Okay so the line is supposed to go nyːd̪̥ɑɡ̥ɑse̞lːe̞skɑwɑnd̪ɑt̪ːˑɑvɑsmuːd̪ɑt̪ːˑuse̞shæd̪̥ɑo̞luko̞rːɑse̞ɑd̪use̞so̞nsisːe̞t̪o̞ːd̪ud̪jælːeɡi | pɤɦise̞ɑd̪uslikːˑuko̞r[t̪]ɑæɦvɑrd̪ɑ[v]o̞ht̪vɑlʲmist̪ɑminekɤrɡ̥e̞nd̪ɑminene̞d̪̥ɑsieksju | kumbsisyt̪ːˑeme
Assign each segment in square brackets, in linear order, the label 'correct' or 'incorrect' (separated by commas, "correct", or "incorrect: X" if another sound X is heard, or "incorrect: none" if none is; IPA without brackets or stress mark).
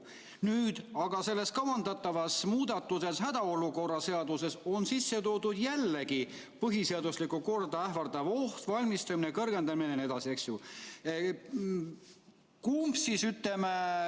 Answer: incorrect: d̪, correct